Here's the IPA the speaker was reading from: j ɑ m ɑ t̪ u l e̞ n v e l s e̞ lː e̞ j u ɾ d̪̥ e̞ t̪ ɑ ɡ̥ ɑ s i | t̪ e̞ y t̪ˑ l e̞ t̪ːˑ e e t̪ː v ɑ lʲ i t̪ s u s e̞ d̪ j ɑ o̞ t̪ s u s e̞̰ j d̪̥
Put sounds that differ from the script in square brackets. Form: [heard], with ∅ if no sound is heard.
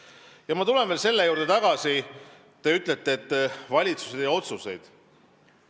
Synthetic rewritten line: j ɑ m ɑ t̪ u l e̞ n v e l s e̞ lː e̞ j [uː] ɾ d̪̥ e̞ t̪ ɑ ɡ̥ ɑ s i | t̪ e̞ y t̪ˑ l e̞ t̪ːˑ e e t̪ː v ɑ lʲ i t̪ s u s e̞ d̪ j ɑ o̞ t̪ s u s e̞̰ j d̪̥